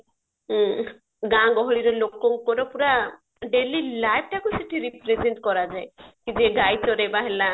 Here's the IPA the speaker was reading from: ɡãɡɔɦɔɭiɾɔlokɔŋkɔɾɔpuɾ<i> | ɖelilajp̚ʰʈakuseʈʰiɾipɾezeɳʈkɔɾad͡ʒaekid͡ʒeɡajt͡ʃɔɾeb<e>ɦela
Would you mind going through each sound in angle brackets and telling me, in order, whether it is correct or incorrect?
incorrect: a, incorrect: a

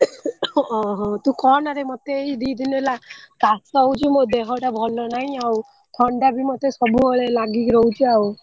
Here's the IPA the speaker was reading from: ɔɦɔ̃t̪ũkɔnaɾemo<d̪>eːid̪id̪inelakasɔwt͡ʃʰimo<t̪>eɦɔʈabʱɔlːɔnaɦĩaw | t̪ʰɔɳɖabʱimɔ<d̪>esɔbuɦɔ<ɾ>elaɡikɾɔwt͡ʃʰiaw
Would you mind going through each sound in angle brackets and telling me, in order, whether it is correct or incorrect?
incorrect: t̪, incorrect: d̪, incorrect: t̪, incorrect: ɭ

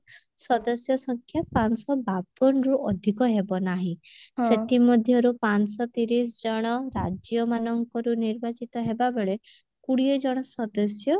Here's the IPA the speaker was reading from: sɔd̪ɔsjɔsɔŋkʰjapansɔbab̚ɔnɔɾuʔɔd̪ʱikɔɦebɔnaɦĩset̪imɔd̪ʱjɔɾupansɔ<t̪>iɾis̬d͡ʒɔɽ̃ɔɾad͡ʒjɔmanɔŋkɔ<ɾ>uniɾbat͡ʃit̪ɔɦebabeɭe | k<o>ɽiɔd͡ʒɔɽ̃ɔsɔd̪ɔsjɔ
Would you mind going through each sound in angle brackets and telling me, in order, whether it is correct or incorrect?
correct, correct, incorrect: u

